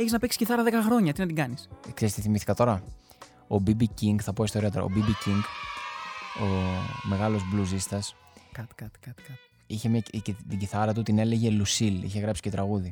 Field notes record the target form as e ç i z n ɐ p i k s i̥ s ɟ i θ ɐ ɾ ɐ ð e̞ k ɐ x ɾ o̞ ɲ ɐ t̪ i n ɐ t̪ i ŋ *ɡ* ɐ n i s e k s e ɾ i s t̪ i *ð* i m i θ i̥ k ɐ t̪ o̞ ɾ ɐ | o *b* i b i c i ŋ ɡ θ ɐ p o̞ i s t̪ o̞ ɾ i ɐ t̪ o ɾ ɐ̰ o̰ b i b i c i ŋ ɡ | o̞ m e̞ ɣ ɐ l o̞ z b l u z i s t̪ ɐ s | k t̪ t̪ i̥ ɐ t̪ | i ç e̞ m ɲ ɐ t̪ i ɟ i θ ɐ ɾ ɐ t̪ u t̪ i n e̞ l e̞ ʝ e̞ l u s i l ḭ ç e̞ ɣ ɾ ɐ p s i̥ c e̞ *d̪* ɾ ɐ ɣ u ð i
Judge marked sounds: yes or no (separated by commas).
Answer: yes, no, yes, no